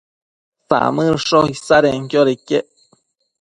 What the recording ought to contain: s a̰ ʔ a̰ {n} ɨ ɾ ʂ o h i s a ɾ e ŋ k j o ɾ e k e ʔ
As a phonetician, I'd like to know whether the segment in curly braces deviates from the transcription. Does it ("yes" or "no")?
yes